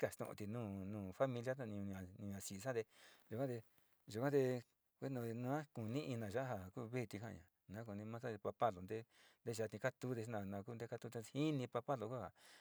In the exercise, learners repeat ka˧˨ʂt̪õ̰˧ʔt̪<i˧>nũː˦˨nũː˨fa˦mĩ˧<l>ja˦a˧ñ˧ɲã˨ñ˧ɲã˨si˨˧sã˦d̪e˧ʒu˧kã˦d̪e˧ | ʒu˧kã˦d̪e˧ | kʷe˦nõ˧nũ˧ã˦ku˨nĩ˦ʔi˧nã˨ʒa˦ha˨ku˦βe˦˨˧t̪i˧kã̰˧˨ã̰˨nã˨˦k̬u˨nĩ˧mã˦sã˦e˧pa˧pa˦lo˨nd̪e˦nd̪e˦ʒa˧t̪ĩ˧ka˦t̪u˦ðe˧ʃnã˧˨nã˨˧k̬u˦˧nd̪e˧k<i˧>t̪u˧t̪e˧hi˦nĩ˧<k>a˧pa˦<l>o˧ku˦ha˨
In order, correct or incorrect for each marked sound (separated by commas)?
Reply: correct, correct, incorrect, incorrect, correct